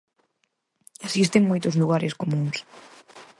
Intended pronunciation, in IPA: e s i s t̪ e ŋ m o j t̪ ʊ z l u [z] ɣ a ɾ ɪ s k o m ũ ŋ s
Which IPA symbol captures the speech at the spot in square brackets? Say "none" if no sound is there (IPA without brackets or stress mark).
none